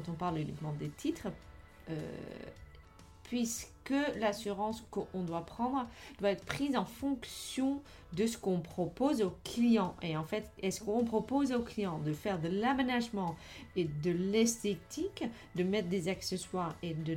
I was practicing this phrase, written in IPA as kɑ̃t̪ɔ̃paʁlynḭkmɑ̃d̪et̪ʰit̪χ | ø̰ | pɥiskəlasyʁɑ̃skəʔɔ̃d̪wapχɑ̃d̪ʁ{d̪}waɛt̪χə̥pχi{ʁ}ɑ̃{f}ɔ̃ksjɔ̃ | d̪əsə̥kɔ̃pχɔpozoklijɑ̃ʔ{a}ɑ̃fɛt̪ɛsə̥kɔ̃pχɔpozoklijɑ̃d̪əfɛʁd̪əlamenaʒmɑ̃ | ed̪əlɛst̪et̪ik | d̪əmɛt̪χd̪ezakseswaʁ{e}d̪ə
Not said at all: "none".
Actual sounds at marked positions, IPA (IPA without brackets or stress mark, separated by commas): d̪, z, f, e, e